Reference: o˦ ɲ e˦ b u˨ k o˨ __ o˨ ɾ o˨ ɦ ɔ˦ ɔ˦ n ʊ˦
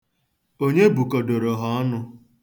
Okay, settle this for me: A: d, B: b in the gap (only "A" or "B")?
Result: A